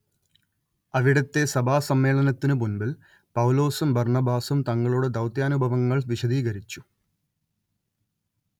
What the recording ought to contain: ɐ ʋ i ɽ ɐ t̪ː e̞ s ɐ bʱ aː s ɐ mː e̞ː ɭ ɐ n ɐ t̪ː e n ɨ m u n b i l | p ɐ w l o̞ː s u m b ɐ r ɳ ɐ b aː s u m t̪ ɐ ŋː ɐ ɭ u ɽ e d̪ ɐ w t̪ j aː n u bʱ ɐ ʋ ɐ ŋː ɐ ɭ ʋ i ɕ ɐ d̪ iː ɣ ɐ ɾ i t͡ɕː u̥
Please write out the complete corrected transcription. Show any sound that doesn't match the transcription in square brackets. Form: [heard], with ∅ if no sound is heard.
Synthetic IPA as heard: ɐ ʋ i ɽ ɐ t̪ː e̞ s ɐ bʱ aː s ɐ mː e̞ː ɭ ɐ n ɐ t̪ː [i] n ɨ m u n b i l | p ɐ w l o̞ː s u m b ɐ r ɳ ɐ b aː s u m t̪ ɐ ŋː ɐ ɭ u ɽ e d̪ ɐ w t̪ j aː n u bʱ ɐ ʋ ɐ ŋː ɐ ɭ ʋ i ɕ ɐ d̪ iː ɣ ɐ ɾ i t͡ɕː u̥